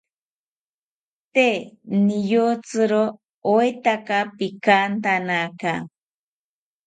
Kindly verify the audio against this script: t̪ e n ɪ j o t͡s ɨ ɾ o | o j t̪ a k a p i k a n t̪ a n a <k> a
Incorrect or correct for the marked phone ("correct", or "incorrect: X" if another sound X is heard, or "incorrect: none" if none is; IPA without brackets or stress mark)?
correct